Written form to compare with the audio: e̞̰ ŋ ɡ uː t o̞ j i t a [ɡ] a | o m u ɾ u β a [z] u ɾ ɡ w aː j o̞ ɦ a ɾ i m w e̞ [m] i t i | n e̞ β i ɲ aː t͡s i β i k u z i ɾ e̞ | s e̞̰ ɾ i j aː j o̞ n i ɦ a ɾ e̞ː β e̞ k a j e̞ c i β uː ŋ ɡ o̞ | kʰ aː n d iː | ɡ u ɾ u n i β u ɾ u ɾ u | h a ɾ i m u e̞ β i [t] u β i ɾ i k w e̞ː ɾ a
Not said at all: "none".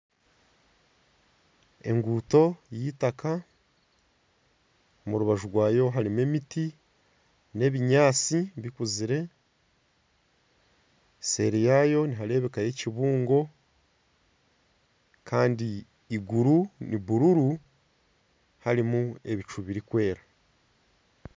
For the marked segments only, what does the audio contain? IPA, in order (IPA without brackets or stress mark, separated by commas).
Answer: k, ʒ, m, t͡ʃ